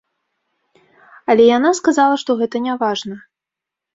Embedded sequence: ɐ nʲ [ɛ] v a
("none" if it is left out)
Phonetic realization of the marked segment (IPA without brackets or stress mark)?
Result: a